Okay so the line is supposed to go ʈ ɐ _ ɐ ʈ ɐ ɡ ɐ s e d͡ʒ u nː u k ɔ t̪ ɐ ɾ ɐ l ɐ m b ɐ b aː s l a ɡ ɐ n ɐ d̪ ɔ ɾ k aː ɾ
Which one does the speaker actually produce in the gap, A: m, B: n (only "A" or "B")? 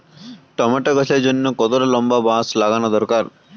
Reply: A